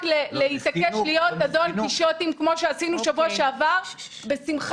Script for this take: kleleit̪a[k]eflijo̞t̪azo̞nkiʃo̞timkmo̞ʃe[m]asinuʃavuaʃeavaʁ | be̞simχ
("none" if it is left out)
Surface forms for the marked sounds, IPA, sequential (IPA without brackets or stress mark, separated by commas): k, none